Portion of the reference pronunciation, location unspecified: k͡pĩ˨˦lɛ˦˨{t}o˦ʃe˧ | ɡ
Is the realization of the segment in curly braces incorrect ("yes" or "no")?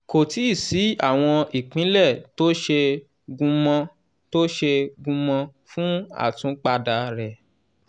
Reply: no